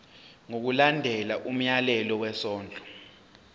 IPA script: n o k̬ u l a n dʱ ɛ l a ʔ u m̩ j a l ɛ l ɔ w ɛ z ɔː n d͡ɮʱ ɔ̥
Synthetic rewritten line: ŋ o k̬ u l a n dʱ ɛ l a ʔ u m̩ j a l ɛ l ɔ w ɛ s ɔː n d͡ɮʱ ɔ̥